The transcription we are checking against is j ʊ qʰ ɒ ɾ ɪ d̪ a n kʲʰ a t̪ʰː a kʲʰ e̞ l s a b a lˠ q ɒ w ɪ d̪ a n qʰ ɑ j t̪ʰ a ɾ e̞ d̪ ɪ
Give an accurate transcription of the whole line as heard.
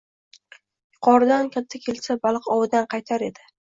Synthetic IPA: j ʊ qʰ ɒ ɾ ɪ d̪ a n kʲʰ a t̪ʰː a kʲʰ e̞ l s a b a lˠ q ɒ w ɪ d̪ a n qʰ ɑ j t̪ʰ a ɾ e̞ d̪ ɪ

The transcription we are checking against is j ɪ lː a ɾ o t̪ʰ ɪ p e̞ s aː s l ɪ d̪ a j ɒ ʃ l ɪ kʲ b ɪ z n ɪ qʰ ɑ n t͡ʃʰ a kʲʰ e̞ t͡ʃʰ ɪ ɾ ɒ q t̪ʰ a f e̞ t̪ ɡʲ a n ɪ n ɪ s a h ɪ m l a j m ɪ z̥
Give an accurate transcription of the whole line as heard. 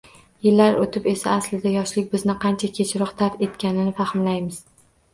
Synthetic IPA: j ɪ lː a ɾ o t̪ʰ ɪ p e̞ s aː s l ɪ d̪ a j ɒ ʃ l ɪ kʲ b ɪ z n ɪ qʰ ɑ n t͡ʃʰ a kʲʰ e̞ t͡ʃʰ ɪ ɾ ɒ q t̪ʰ a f e̞ t̪ kʲ a n ɪ n ɪ f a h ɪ m l a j m ɪ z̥

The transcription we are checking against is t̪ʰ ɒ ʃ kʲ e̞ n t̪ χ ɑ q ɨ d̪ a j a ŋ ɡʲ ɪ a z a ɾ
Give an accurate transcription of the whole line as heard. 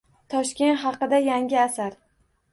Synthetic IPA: t̪ʰ ɒ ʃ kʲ e̞ n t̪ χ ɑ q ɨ d̪ a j a ŋ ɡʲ ɪ a s a ɾ

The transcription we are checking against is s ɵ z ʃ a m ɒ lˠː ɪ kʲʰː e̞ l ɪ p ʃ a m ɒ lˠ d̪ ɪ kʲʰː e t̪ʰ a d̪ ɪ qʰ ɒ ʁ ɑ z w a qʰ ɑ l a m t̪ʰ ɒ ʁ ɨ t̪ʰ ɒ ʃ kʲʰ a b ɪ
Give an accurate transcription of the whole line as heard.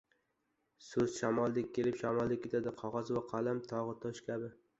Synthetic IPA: s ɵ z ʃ a m ɒ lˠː ɪ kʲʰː e̞ l ɪ p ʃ a m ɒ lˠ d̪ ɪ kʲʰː e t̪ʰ a d̪ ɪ qʰ ɒ ʁ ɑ z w a qʰ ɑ l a m t̪ʰ ɒ ʁ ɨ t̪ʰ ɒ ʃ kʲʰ a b ɪ

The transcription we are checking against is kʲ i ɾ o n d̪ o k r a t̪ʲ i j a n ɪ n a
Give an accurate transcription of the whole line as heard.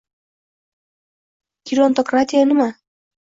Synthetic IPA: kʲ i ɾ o n t̪ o k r a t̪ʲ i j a n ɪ m a

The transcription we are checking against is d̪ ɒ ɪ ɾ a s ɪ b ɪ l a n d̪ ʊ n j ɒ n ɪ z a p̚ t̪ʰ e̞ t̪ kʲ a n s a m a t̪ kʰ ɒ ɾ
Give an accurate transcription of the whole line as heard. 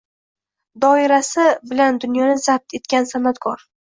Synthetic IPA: d̪ ɒ ɪ ɾ a s ɪ b ɪ l a n d̪ ʊ n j ɒ n ɪ z a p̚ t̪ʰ e̞ t̪ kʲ a n s a m a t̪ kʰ ɒ ɾ

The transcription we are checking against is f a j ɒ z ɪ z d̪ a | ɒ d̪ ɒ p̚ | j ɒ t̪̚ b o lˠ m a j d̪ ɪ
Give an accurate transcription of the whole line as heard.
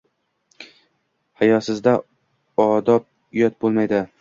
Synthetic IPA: h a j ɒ s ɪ z d̪ a | ɒ d̪ ɒ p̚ | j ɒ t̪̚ b o lˠ m a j d̪ ɪ

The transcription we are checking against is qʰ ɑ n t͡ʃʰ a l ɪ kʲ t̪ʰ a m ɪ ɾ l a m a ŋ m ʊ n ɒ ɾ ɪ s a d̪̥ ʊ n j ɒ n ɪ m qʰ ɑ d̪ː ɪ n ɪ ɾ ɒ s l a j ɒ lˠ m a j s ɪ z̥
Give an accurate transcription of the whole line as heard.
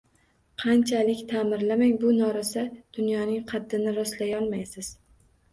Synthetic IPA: qʰ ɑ n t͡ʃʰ a l ɪ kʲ t̪ʰ a m ɪ ɾ l a m a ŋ b ʊ n ɒ ɾ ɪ s a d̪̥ ʊ n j ɒ n ɪ ŋ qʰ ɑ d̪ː ɪ n ɪ ɾ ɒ s l a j ɒ lˠ m a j s ɪ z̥

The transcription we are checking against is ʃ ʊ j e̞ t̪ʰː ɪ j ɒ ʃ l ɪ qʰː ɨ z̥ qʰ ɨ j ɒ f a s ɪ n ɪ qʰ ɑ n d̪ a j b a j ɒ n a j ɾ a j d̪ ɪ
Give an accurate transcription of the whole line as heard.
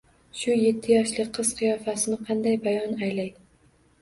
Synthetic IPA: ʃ ʊ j e̞ t̪ʰː ɪ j ɒ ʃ l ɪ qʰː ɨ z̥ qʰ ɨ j ɒ f a s ɪ n ɪ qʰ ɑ n d̪ a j b a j ɒ n a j l a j d̪ ɪ

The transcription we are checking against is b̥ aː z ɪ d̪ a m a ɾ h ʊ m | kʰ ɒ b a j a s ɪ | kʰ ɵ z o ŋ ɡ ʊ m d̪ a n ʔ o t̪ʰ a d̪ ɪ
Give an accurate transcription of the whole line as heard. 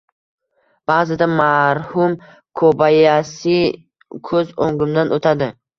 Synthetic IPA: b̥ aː z ɪ d̪ a m a ɾ h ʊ m | kʰ o b a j a s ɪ | kʰ ɵ z o ŋ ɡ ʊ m d̪ a n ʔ o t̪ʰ a d̪ ɪ

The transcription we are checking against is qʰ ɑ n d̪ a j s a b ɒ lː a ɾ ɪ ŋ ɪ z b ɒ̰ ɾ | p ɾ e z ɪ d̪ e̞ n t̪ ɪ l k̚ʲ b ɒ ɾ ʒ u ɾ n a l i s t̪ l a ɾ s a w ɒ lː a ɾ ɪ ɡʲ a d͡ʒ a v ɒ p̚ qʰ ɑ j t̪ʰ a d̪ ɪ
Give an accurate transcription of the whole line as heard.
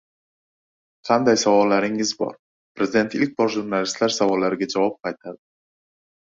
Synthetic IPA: qʰ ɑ n d̪ a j s a v ɒ lː a ɾ ɪ ŋ ɪ z b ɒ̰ ɾ | p ɾ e z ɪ d̪ e̞ n t̪ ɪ l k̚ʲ b ɒ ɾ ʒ u ɾ n a l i s t̪ l a ɾ s a v ɒ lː a ɾ ɪ ɡʲ a d͡ʒ a v ɒ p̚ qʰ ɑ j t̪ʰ a d̪ ɪ

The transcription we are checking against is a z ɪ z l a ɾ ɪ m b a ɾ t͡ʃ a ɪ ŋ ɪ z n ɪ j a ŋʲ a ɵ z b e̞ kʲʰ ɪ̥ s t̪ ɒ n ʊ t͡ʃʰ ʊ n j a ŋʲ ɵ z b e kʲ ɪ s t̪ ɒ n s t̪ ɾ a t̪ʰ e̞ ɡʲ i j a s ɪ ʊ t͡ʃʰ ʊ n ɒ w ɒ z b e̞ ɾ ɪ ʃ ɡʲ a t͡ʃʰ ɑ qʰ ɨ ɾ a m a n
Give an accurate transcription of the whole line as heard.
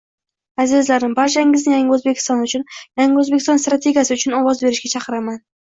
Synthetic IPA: a z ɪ z l a ɾ ɪ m b a ɾ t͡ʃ a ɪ ŋ ɪ z n ɪ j a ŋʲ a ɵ z b e̞ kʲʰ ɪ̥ s t̪ ɒ n ʊ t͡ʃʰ ʊ n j a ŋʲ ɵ z b e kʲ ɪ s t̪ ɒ n s t̪ ɾ a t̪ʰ e̞ ɡʲ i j a s ɪ ʊ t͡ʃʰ ʊ n ɒ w ɒ z b e̞ ɾ ɪ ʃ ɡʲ a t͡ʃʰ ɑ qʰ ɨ ɾ a m a n

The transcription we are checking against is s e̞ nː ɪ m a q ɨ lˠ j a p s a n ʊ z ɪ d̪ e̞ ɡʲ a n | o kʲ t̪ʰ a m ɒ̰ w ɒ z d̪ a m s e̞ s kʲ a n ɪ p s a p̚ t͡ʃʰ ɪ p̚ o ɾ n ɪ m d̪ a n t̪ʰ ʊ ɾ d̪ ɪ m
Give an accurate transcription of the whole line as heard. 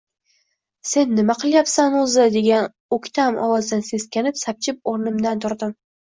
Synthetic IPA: s e̞ nː ɪ m a q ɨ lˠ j a p s a n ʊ z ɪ d̪ e̞ ɡʲ a n | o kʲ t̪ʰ a m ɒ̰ w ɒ z d̪ a n s e̞ s kʲ a n ɪ p s a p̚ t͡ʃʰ ɪ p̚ o ɾ n ɪ m d̪ a n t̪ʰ ʊ ɾ d̪ ɪ m

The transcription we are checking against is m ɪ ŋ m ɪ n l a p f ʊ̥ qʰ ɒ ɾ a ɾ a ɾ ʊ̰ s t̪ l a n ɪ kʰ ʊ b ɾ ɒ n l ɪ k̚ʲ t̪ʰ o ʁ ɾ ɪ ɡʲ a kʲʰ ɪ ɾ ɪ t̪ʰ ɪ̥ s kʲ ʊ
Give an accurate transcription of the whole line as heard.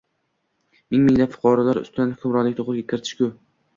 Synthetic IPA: m ɪ ŋ m ɪ ŋ l a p f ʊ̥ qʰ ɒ ɾ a l a ɾ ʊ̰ s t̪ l a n ɪ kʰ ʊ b ɾ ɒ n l ɪ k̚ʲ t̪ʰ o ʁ ɾ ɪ ɡʲ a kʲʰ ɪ ɾ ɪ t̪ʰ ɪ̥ ʃ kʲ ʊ

